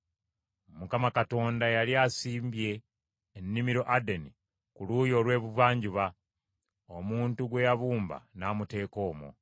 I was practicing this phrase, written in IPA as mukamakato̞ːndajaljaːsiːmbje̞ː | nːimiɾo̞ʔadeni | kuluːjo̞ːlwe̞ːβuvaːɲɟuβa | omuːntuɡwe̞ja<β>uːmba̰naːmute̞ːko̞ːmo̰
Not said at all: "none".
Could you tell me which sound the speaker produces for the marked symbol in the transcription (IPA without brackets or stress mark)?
β